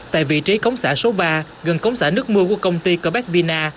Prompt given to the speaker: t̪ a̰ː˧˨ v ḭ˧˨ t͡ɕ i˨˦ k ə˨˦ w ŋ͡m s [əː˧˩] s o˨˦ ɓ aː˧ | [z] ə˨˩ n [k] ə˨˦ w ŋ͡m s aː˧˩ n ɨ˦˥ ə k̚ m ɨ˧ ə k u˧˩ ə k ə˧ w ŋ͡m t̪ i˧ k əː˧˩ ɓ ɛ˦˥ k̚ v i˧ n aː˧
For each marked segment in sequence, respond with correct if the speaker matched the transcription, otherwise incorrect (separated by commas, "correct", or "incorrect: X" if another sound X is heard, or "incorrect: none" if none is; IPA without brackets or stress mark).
incorrect: aː˧˩, incorrect: ɣ, correct